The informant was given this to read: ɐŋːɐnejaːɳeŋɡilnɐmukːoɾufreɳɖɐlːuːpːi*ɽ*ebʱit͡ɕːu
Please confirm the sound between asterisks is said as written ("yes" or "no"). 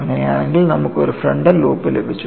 no